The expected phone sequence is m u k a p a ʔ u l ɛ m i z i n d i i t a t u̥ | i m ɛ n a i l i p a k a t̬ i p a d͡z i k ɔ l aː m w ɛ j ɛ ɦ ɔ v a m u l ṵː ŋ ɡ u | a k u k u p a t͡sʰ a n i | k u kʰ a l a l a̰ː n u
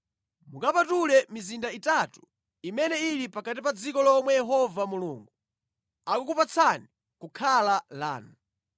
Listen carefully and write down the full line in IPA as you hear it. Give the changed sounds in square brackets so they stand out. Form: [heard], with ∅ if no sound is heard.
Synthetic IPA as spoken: m u k a p a [t] u l ɛ m i z i n d [a] i t a t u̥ | i m ɛ n [ɛ] i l i p a k a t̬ i p a d͡z i k ɔ l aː m w ɛ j ɛ ɦ ɔ v a m u l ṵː ŋ ɡ u | a k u k u p a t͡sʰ a n i | k u kʰ a l a l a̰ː n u